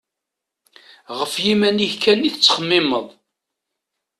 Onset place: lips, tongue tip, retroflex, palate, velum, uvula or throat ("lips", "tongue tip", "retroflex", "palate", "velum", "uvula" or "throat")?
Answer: uvula